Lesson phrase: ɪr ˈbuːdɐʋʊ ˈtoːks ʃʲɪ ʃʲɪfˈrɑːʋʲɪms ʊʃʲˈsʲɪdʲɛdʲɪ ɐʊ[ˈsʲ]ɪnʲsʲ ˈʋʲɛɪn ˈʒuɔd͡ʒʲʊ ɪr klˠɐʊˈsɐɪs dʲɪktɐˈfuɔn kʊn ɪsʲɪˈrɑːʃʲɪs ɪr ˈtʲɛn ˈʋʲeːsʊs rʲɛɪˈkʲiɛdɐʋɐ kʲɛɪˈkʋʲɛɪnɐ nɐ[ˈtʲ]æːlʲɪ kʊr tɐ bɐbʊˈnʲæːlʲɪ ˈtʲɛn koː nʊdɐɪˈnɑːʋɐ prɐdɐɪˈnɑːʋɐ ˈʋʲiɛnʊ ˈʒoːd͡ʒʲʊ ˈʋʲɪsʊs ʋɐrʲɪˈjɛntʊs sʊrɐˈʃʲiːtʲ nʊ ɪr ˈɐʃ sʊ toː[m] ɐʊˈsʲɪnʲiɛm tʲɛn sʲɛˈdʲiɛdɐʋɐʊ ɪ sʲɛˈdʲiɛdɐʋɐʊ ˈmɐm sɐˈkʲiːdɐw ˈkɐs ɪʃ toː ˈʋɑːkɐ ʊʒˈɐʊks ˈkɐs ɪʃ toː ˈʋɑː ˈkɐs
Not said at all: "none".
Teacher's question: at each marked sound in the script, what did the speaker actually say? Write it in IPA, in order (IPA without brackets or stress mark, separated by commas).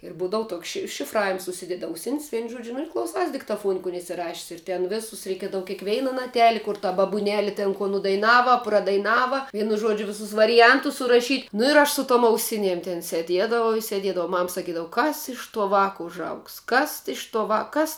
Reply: sʲ, tʲ, m